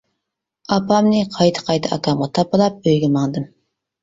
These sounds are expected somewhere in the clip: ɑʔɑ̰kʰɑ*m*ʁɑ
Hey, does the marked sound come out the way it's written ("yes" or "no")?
yes